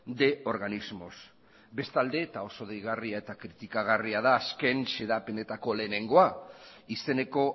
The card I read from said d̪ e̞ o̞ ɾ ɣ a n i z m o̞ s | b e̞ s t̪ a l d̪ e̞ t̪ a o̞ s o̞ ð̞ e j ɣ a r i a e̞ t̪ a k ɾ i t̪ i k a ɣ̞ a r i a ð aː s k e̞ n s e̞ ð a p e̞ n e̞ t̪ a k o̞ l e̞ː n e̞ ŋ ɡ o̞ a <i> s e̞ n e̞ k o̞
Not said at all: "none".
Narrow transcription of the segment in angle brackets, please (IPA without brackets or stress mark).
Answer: i